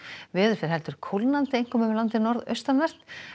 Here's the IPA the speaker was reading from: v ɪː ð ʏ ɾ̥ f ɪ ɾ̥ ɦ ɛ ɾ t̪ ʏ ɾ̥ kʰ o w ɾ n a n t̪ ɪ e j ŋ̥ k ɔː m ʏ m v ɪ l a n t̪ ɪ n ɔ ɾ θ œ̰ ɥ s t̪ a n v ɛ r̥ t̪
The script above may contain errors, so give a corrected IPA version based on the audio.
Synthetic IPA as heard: v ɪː ð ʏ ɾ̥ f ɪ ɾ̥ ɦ ɛ l t̪ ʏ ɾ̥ kʰ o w l n a n t̪ ɪ e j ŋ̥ k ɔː m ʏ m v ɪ l a n t̪ ɪ n ɔ ɾ ð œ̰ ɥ s t̪ a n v ɛ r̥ t̪